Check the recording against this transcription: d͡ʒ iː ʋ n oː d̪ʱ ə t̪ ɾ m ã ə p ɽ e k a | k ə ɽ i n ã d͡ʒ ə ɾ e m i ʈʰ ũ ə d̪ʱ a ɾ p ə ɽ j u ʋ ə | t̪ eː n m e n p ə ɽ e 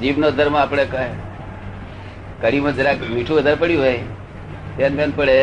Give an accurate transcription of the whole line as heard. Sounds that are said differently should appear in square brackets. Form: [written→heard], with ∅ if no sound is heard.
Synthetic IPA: d͡ʒ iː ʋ n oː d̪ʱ ə [t̪→∅] ɾ m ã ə p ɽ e k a | k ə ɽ i [n→m] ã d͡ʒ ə ɾ [e→a] m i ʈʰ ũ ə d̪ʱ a ɾ p ə ɽ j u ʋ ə | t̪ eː n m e n p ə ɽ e